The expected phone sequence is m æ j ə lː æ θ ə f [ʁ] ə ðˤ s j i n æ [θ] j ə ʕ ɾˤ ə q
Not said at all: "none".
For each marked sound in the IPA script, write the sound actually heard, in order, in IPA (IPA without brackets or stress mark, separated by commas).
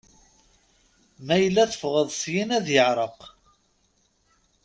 ʁ, ð